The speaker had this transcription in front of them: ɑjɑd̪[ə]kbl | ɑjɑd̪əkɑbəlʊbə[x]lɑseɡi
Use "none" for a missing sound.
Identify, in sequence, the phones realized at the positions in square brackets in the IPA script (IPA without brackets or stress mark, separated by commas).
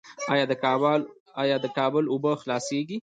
ə, x